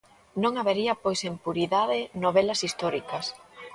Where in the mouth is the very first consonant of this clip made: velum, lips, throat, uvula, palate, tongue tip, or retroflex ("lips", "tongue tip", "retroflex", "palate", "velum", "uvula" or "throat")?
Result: tongue tip